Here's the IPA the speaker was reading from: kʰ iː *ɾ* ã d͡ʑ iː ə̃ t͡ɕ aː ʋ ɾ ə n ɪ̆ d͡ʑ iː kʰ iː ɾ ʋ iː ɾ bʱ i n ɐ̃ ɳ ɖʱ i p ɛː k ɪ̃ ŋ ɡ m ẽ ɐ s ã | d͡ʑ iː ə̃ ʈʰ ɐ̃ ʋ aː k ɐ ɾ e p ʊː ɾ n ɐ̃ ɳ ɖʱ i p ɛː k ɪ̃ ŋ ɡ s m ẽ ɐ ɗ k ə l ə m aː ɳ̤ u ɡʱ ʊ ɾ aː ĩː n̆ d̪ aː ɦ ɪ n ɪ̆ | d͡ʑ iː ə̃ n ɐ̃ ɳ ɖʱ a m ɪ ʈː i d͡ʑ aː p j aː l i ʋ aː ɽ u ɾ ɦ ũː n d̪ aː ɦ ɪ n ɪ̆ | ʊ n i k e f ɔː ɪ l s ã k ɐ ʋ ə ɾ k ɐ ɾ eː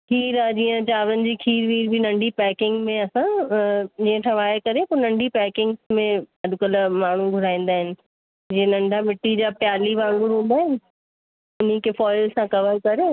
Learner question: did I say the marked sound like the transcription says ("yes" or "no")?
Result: yes